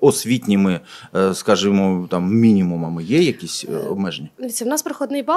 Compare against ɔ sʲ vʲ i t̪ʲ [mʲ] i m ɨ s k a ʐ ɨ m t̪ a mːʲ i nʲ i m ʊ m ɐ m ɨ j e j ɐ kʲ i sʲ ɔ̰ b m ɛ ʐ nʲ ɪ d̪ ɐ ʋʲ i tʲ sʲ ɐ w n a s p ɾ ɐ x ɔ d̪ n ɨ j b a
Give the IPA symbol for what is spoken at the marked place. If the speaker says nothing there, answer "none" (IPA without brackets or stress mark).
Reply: nʲ